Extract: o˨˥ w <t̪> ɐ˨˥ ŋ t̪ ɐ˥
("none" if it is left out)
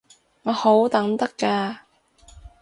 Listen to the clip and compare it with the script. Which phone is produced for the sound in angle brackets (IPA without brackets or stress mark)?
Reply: t̪